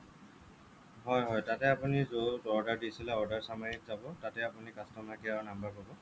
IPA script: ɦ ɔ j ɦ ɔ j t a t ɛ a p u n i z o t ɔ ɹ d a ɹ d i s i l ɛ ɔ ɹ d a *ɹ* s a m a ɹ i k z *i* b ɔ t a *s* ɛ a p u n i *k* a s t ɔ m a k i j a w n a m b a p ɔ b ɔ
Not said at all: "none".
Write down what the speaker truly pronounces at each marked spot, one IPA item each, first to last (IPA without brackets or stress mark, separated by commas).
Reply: ɹ, a, t, k